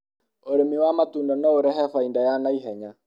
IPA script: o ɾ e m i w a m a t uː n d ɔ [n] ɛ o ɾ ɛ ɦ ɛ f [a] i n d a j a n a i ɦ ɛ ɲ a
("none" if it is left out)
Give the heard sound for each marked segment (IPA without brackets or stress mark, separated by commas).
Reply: n, a